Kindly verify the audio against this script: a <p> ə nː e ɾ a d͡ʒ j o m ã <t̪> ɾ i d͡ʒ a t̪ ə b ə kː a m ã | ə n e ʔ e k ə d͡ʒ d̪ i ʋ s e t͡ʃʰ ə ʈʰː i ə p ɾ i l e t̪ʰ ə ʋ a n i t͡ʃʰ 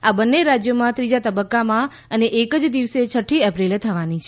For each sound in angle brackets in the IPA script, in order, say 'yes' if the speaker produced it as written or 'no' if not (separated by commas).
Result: no, yes